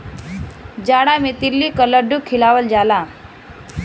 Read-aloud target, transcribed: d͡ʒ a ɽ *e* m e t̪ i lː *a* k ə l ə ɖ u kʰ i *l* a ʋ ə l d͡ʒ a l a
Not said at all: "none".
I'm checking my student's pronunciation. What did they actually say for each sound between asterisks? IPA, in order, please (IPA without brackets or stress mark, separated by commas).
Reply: a, i, l